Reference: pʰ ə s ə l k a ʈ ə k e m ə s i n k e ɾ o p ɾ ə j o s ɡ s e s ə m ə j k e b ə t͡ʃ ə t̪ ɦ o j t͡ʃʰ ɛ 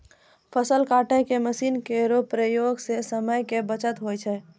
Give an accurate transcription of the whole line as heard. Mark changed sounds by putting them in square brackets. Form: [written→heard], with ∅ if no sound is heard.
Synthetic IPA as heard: pʰ ə s ə l k a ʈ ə k e m ə s i n k e ɾ o p ɾ ə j o [s→∅] ɡ s e s ə m ə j k e b ə t͡ʃ ə t̪ ɦ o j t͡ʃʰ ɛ